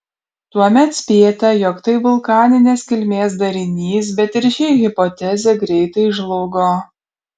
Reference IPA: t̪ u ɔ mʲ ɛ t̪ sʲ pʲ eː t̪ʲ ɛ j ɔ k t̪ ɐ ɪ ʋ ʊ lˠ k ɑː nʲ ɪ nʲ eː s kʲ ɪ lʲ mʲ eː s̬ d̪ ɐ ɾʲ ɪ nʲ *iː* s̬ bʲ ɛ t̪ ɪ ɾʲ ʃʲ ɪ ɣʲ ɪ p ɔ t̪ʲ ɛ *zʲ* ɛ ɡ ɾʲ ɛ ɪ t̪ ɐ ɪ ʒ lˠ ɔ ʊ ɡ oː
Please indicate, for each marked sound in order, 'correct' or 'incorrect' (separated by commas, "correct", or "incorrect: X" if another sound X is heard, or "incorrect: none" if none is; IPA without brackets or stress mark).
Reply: correct, correct